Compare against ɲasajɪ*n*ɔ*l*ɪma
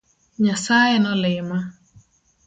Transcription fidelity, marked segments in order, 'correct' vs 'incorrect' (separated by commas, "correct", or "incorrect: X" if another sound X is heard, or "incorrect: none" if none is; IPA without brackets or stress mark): correct, correct